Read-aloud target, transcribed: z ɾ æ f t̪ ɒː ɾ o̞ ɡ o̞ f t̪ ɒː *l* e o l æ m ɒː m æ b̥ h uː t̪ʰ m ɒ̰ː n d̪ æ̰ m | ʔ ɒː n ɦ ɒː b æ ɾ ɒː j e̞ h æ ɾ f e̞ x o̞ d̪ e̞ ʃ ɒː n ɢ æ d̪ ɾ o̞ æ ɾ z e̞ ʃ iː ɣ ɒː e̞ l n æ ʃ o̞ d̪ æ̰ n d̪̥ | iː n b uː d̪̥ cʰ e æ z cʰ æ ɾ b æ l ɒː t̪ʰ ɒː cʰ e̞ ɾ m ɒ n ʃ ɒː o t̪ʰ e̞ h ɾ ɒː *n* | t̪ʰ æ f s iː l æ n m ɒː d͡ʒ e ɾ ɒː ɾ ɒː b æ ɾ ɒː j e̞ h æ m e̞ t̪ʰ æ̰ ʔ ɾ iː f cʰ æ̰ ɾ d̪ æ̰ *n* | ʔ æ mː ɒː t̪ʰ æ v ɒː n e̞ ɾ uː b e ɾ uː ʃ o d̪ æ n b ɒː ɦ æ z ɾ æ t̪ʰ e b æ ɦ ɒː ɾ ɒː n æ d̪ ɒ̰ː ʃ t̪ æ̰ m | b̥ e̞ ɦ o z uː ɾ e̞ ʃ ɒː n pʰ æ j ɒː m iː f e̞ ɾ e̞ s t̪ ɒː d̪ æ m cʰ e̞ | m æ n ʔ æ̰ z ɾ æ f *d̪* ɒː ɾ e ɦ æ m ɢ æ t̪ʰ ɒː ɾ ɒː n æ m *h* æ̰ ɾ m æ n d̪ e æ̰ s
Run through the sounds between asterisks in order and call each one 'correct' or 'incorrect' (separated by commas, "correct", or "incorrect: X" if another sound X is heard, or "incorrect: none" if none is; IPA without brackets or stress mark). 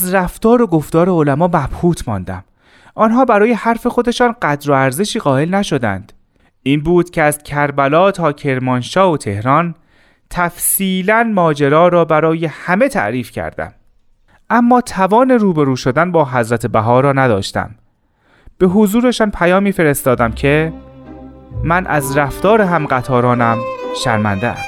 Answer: incorrect: ɾ, correct, incorrect: m, incorrect: t̪, incorrect: ʃ